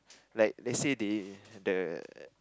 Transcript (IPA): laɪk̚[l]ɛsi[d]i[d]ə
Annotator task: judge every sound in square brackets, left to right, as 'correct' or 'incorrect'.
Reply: correct, correct, correct

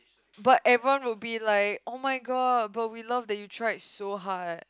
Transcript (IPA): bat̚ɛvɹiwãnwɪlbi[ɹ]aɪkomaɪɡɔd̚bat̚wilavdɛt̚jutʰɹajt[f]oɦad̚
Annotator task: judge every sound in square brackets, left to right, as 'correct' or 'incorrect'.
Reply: incorrect: l, incorrect: s

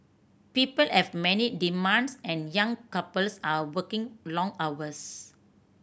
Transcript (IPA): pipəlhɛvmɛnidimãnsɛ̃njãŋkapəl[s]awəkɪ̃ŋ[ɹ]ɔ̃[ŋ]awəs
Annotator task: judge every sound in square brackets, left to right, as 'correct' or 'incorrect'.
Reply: correct, incorrect: l, correct

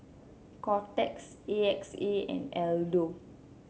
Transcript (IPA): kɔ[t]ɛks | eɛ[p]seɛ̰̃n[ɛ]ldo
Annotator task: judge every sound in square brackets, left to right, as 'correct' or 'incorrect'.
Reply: correct, incorrect: k, correct

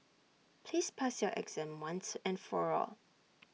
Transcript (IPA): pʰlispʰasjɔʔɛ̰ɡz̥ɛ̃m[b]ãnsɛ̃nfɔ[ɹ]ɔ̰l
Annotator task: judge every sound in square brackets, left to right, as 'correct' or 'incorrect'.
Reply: incorrect: w, correct

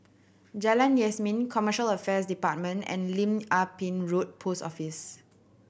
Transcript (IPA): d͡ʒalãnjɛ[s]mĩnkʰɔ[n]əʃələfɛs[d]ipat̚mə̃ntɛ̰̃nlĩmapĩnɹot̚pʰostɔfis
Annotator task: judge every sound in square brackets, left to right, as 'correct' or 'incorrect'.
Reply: correct, incorrect: m, correct

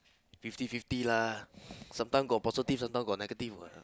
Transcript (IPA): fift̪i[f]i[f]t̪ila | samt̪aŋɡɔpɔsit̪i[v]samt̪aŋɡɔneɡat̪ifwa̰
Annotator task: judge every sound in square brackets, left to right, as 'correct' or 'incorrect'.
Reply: correct, correct, incorrect: f

